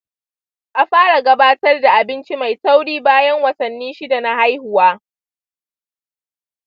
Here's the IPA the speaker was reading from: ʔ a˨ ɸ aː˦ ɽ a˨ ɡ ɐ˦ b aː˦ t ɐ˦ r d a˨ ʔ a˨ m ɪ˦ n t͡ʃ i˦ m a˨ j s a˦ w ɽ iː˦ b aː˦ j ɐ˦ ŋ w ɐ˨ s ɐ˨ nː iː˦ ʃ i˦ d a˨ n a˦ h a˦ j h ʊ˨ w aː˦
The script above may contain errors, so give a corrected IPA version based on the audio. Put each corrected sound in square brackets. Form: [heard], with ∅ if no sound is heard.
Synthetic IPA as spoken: ʔ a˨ ɸ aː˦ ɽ a˨ ɡ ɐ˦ b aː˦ t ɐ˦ r d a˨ ʔ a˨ [b] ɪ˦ n t͡ʃ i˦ m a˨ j s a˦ w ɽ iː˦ b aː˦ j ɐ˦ ŋ w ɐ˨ s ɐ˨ nː iː˦ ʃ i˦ d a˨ n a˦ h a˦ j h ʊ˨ w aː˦